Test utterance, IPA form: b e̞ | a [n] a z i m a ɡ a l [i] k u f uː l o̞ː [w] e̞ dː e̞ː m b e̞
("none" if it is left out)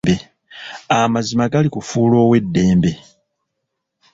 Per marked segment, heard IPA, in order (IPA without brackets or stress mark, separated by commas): m, i, w